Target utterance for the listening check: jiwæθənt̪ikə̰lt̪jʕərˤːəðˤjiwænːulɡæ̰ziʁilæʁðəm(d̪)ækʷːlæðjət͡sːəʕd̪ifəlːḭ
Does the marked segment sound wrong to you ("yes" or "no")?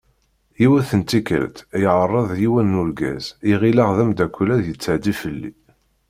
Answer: no